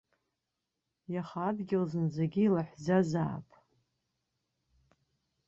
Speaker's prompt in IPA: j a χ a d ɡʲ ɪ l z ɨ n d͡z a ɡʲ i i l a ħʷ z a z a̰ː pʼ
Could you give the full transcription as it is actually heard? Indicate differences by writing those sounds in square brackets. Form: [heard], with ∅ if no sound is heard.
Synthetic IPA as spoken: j a χ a d ɡʲ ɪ l z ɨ n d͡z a ɡʲ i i l a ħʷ z a z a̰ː pʼ